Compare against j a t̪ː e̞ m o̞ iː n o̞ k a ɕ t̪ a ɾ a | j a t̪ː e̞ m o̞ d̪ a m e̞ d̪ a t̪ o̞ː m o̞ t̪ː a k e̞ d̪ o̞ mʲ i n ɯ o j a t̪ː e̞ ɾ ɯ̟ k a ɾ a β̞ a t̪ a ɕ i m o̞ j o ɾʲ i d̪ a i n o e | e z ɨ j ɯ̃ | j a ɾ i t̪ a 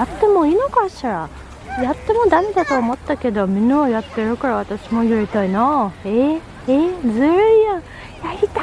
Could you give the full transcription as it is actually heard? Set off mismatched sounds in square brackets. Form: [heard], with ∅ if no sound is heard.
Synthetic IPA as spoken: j a t̪ː e̞ m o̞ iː n o̞ k a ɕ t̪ a ɾ a | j a t̪ː e̞ m o̞ d̪ a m e̞ d̪ a t̪ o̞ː m o̞ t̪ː a k e̞ d̪ o̞ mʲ i n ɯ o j a t̪ː e̞ ɾ ɯ̟ k a ɾ a β̞ a t̪ a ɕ i m o̞ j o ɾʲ i [t̪] a i n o e | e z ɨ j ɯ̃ | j a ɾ i t̪ a